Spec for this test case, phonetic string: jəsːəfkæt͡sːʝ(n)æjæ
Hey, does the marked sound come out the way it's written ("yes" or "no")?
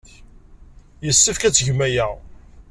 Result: no